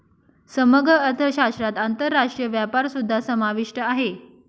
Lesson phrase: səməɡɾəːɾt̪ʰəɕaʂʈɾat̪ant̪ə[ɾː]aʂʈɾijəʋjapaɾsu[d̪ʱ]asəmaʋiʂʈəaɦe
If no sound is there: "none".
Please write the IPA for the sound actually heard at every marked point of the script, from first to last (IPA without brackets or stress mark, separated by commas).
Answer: ɾː, d̪ʱː